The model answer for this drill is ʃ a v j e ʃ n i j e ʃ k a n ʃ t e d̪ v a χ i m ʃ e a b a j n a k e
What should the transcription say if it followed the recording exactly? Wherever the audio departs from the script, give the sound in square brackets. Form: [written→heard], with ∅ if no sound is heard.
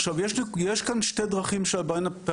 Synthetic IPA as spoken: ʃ a v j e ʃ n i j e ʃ k a n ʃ t e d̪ [v→ʁ] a χ i m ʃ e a b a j n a [k→p] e